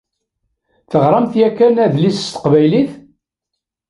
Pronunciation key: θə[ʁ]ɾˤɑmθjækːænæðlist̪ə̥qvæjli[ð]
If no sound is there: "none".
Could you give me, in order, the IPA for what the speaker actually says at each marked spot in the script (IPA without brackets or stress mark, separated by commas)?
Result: ʁ, θ